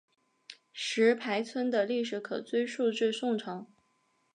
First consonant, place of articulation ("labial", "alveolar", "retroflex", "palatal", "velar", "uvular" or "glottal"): retroflex